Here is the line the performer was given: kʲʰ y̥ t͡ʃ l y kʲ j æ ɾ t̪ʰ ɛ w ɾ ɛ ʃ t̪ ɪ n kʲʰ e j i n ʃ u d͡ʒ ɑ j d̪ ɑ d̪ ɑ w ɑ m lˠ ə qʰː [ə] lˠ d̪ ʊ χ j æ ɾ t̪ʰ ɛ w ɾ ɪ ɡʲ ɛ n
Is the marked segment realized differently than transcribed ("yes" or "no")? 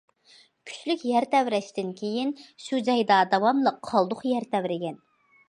yes